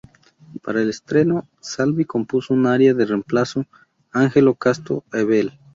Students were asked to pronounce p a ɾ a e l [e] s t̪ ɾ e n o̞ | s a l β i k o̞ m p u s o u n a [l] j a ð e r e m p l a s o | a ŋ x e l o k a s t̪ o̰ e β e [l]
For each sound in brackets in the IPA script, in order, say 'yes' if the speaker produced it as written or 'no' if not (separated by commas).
yes, no, yes